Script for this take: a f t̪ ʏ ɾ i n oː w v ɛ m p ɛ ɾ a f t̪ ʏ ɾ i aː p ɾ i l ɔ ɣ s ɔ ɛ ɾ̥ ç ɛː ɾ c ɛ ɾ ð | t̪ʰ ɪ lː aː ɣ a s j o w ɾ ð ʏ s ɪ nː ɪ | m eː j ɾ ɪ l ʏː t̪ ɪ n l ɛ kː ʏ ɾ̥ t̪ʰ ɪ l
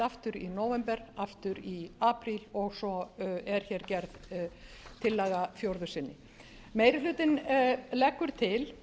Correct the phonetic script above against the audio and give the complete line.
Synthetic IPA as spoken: a f t̪ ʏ ɾ i n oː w v ɛ m p ɛ ɾ a f t̪ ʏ ɾ i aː p ɾ i l ɔ ɣ s ɔ ɛ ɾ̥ ç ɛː ɾ c ɛ ɾ ð | t̪ʰ ɪ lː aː ɣ a f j o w ɾ ð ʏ s ɪ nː ɪ | m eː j ɾ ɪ l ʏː t̪ ɪ n l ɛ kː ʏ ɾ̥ t̪ʰ ɪ l